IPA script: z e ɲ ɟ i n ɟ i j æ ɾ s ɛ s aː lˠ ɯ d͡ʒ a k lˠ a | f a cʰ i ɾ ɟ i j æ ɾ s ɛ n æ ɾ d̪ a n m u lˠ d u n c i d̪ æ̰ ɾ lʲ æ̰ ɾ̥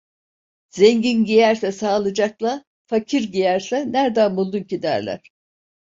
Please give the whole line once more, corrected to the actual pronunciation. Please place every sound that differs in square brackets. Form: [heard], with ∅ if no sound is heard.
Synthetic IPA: z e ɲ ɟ i n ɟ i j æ ɾ s ɛ s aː lˠ ɯ d͡ʒ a k lˠ a | f a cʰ i ɾ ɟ i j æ ɾ s ɛ n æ ɾ d̪ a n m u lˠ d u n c i d̪ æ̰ ɾ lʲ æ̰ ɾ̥